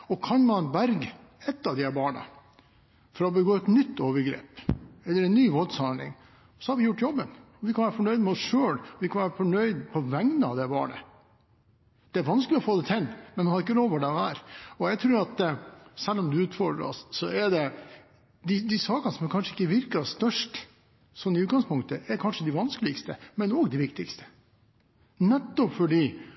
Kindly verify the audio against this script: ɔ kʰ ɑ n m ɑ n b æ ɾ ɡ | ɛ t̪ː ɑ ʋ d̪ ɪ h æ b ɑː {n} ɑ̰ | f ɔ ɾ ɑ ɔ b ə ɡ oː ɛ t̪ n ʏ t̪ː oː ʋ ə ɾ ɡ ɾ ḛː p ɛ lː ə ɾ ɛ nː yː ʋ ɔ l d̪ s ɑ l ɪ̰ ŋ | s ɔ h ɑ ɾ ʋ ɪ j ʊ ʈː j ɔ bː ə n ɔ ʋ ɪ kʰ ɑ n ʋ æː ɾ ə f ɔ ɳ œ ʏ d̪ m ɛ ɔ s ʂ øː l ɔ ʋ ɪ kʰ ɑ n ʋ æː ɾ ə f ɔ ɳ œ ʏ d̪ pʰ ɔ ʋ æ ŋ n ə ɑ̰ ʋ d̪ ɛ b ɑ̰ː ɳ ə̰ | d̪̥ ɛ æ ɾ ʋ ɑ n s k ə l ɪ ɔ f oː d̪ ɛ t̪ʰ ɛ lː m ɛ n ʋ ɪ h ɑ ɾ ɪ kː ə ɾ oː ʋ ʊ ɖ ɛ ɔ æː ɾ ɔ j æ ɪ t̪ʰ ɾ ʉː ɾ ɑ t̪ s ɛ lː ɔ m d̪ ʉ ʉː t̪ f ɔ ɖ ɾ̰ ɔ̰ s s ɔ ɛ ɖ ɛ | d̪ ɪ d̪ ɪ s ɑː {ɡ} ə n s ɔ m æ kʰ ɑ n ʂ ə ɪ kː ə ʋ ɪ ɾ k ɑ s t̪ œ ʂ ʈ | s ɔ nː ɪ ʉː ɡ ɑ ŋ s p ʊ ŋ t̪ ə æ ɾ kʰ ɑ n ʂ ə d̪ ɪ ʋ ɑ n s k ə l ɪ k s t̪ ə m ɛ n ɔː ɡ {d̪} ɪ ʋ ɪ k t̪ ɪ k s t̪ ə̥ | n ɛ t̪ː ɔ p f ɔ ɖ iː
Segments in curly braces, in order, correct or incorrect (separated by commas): incorrect, incorrect, correct